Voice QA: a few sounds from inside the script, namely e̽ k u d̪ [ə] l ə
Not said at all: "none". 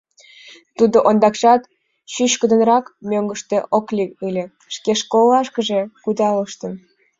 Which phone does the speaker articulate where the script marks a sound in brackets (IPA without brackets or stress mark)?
ɑ